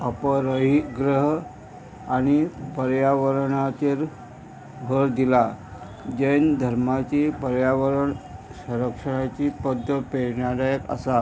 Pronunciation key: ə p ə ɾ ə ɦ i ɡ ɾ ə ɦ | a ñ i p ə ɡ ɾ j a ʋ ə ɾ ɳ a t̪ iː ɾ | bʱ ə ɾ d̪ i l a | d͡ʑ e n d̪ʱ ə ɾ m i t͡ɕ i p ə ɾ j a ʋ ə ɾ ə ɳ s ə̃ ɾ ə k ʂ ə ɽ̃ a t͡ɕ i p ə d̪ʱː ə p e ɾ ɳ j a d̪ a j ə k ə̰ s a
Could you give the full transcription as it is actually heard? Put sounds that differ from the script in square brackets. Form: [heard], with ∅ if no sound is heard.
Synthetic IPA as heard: ə p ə ɾ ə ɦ i ɡ ɾ ə ɦ | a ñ i p ə [∅] ɾ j a ʋ ə ɾ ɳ a t̪ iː ɾ | bʱ ə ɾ d̪ i l a | d͡ʑ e n d̪ʱ ə ɾ m [a] t͡ɕ i p ə ɾ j a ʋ ə ɾ ə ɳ s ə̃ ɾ ə k ʂ ə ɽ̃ a t͡ɕ i p ə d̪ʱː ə p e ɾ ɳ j a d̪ a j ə k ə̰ s a